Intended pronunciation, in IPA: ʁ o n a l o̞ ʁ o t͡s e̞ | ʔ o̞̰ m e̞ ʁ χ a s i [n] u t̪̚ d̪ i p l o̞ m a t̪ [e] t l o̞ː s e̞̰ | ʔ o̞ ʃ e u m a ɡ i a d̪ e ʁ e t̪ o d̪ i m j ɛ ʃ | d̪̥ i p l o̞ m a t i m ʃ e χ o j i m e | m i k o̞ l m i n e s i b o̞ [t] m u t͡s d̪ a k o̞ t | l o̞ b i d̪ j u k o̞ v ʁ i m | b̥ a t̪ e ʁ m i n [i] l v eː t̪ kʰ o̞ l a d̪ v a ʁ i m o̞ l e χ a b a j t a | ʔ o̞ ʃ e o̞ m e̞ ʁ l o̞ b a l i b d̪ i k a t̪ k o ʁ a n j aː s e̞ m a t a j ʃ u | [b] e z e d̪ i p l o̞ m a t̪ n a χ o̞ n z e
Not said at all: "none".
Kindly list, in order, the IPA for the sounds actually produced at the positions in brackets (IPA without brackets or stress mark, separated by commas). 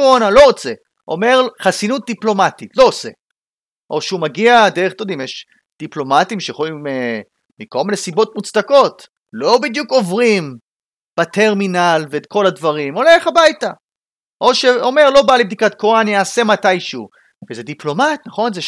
n, i, t, a, v